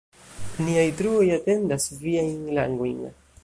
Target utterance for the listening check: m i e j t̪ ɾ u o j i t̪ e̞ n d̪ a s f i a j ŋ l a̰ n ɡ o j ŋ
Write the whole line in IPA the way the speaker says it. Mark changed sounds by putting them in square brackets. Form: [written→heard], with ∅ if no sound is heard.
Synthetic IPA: [m→n] i [e→a] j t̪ ɾ u o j [i→a] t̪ e̞ n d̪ a s [f→v] i a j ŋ l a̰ [n→ŋ] ɡ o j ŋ